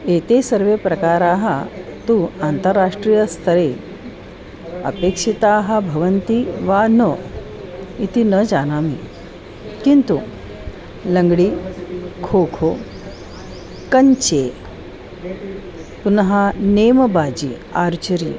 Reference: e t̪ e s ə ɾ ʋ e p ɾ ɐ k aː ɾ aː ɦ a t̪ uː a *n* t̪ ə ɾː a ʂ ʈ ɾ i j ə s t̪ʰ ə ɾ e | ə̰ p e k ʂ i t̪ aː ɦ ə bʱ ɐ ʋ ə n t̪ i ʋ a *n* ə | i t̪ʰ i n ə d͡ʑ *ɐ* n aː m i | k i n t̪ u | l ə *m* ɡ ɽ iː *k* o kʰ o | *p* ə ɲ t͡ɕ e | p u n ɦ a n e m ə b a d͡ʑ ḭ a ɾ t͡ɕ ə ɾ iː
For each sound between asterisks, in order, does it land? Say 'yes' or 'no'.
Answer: yes, yes, no, no, no, no

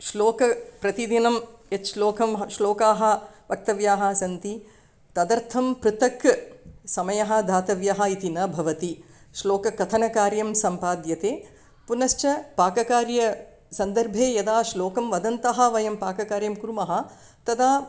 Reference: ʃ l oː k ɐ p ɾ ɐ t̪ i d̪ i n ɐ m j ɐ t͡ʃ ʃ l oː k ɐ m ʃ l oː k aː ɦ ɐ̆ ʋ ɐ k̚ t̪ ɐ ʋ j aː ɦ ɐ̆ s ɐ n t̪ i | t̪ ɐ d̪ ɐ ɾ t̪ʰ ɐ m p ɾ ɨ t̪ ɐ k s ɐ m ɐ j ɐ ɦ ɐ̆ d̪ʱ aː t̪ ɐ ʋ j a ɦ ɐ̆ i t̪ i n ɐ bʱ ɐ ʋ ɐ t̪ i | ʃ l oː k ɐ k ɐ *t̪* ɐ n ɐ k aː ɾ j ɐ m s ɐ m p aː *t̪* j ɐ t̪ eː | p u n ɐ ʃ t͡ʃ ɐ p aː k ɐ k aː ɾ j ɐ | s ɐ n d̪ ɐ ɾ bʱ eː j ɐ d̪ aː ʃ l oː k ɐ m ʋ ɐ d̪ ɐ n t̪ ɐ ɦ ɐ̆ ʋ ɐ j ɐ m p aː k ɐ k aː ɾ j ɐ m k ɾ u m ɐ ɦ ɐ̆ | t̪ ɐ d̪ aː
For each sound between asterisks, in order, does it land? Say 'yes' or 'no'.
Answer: no, no

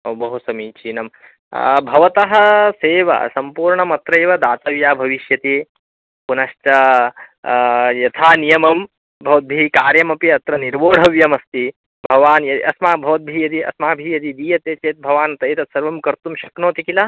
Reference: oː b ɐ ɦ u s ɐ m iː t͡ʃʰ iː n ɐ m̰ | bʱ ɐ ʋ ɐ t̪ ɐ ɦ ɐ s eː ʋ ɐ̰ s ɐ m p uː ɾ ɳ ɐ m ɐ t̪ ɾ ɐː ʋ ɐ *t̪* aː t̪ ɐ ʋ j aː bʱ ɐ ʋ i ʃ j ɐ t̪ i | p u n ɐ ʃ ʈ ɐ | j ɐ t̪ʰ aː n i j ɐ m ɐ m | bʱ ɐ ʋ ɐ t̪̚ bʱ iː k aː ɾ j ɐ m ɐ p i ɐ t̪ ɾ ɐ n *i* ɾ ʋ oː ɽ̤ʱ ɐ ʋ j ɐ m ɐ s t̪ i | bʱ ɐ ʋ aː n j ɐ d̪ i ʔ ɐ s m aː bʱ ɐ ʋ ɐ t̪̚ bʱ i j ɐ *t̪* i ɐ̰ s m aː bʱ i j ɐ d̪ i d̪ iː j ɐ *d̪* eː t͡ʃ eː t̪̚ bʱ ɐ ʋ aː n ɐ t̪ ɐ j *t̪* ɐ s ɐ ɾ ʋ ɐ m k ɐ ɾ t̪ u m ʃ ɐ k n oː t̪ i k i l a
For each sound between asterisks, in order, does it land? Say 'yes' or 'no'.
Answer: no, yes, no, no, yes

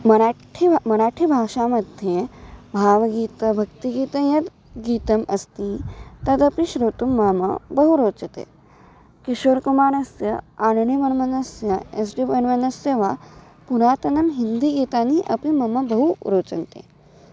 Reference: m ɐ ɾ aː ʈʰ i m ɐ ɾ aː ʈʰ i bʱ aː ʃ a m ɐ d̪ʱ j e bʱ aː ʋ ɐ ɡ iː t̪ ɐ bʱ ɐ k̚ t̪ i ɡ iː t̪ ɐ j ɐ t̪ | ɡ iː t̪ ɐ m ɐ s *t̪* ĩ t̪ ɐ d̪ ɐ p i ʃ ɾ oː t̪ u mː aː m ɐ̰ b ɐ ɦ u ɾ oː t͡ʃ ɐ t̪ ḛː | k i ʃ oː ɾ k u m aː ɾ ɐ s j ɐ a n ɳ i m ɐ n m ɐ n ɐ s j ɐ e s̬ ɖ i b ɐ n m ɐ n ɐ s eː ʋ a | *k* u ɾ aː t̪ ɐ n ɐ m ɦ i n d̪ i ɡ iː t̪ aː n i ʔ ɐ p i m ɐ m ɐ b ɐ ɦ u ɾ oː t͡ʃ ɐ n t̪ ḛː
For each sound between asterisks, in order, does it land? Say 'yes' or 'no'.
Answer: yes, no

